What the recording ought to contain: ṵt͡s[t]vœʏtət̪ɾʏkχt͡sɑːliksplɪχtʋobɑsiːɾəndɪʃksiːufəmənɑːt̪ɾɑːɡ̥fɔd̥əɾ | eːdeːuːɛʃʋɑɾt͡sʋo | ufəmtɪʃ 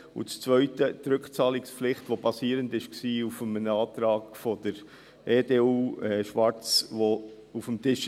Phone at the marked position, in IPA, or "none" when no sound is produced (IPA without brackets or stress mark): t͡s